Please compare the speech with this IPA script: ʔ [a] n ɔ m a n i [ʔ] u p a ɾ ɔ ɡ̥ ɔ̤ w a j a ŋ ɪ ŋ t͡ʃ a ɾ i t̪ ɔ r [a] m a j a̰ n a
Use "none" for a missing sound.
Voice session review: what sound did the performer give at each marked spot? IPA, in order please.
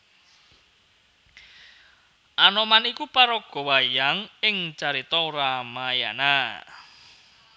a, k, a

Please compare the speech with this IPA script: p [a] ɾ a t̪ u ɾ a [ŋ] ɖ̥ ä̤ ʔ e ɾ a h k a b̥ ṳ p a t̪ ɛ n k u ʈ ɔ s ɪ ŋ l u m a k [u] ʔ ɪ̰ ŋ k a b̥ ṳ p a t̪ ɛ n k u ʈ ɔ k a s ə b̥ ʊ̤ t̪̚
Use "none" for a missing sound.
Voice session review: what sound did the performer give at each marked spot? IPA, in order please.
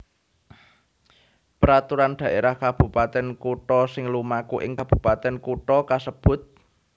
ə, n, u

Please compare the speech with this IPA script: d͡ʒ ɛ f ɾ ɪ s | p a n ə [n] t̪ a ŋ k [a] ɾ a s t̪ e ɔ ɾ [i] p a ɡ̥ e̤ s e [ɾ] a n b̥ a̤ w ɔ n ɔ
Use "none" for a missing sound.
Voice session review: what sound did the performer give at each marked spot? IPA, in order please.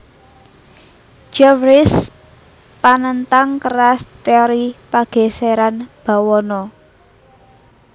n, ə, i, ɾ

